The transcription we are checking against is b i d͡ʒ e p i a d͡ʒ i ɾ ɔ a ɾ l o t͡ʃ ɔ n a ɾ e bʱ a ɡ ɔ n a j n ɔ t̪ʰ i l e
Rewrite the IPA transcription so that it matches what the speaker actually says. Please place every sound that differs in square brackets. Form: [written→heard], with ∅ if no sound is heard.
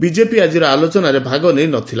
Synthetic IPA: b i d͡ʒ e p i a d͡ʒ i ɾ ɔ a [ɾ→∅] l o t͡ʃ ɔ n a ɾ e bʱ a ɡ ɔ n [a→e] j n ɔ t̪ʰ i l [e→a]